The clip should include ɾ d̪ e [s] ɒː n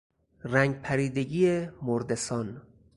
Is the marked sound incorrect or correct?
correct